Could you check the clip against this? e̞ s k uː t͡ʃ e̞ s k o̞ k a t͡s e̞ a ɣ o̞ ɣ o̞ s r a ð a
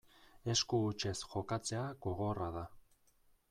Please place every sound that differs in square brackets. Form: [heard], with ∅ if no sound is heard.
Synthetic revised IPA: e̞ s k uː t͡ʃ e̞ s [x] o̞ k a t͡s e̞ a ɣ o̞ ɣ o̞ [∅] r a ð a